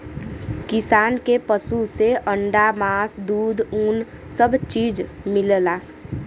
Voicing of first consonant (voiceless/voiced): voiceless